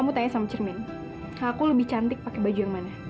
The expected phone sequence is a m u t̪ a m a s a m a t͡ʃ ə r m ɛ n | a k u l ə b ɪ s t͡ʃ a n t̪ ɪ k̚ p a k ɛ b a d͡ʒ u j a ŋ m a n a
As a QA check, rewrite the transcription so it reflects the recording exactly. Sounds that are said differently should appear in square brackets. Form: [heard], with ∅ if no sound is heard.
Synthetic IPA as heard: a m u t̪ a [ɲ] a s a m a t͡ʃ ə r m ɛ n | a k u l ə b ɪ [h] t͡ʃ a n t̪ ɪ k̚ p a k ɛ b a d͡ʒ u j a ŋ m a n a